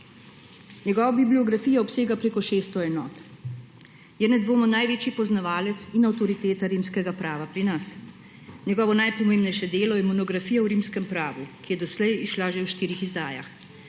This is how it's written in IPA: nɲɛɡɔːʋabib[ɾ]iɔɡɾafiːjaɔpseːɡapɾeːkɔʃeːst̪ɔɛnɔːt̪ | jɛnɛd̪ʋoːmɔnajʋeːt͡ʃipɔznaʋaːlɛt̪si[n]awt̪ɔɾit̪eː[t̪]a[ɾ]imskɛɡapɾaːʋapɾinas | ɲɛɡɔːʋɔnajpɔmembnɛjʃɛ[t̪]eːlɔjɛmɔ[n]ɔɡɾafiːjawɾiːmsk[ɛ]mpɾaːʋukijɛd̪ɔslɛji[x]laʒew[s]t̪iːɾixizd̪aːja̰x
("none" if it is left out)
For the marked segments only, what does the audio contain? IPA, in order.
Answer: l, n, t̪, ɾ, d̪, n, ɛ, ʃ, ʃ

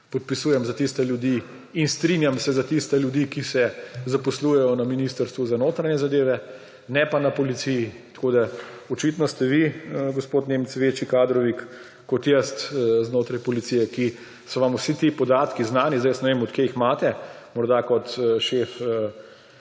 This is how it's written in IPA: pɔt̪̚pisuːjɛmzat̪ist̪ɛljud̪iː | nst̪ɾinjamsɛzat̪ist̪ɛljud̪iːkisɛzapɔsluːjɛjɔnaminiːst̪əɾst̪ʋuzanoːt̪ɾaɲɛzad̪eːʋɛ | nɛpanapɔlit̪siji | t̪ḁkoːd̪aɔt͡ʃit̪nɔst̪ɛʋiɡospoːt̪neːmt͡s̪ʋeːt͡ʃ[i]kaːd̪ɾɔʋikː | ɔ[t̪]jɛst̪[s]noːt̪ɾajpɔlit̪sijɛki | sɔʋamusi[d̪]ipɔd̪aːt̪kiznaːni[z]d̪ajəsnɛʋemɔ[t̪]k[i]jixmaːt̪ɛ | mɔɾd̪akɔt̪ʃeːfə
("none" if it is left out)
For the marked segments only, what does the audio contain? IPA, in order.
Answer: i, t̪, z, t̪, z, t̪, e

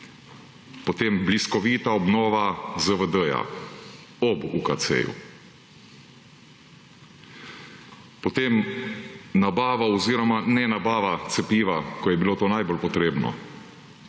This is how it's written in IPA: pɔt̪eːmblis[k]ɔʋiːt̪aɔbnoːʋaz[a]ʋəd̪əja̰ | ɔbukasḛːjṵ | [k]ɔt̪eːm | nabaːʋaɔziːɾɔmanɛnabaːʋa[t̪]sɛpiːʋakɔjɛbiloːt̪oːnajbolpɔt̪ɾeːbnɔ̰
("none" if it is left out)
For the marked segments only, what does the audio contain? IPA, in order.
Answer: k, ə, p, t̪

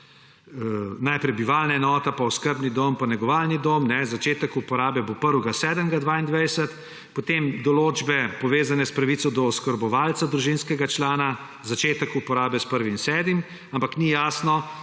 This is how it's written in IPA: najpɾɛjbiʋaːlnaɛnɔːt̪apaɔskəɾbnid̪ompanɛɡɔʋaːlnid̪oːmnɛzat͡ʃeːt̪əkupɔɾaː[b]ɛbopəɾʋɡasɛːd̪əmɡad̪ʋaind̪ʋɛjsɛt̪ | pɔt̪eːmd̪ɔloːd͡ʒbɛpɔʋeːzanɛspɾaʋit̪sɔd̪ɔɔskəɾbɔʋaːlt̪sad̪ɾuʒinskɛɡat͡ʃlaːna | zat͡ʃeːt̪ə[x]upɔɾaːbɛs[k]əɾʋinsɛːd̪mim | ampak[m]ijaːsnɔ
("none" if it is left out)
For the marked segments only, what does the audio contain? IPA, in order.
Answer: b, k, p, n

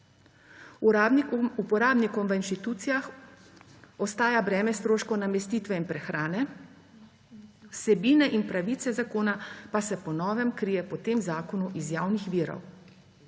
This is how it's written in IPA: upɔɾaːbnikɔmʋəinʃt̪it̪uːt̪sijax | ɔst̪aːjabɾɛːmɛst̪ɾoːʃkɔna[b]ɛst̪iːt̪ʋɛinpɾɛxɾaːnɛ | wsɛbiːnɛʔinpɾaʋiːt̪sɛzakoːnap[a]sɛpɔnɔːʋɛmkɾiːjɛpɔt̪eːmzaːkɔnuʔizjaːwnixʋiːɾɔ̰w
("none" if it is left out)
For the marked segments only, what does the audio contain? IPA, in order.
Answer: m, a

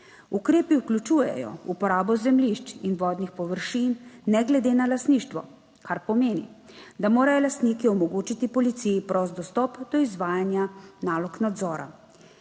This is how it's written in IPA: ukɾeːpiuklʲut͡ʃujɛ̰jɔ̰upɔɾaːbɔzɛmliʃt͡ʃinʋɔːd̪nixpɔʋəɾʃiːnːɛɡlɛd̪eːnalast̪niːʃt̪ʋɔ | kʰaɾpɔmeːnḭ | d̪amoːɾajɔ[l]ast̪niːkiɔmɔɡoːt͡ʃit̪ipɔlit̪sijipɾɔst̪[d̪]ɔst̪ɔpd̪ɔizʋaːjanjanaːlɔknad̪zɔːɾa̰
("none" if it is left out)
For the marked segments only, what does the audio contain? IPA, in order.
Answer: l, d̪

